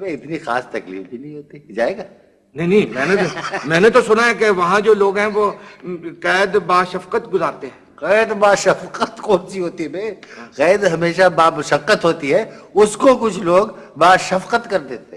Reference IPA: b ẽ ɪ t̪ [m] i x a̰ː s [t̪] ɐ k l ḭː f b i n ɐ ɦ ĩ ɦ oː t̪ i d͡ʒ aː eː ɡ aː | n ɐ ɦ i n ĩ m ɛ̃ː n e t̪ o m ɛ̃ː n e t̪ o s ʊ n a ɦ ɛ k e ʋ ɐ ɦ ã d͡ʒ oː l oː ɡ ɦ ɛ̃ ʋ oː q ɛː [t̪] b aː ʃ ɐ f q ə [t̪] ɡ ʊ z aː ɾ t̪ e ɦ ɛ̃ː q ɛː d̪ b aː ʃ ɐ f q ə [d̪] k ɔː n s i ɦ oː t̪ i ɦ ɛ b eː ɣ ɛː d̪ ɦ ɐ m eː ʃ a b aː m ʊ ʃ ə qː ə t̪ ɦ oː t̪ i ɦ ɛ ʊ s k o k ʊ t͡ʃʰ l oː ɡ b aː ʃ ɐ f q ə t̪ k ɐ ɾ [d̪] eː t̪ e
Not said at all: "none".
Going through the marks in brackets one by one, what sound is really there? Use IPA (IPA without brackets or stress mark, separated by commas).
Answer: n, t̪, d̪, t̪, t̪, d̪